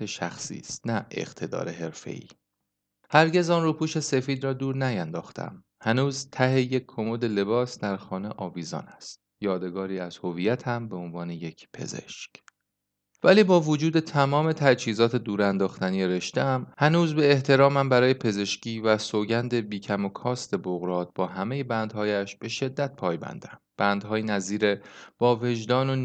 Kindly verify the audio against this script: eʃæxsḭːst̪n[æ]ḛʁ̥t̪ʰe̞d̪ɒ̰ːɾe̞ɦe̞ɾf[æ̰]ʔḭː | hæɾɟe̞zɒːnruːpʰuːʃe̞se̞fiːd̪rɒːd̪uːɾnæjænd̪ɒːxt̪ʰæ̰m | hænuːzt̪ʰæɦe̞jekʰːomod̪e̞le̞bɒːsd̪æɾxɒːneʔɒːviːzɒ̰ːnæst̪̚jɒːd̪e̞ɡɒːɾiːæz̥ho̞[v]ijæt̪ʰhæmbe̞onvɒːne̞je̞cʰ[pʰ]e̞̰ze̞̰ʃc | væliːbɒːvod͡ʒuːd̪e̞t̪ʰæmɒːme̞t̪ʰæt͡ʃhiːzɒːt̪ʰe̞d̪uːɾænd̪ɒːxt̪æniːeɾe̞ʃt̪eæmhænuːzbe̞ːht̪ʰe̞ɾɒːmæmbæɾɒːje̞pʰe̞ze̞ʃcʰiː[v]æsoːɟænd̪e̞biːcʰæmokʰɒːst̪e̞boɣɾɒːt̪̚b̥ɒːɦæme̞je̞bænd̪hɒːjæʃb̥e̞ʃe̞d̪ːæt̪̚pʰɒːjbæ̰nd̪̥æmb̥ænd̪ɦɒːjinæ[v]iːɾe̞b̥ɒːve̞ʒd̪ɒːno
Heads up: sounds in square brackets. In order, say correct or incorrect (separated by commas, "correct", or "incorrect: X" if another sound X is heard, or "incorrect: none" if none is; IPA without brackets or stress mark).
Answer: correct, incorrect: ḛ, correct, correct, correct, incorrect: z